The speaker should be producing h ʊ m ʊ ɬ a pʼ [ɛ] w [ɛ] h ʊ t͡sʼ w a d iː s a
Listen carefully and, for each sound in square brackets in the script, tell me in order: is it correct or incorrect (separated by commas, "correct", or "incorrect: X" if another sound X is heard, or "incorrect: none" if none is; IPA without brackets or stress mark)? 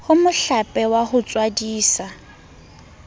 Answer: correct, incorrect: a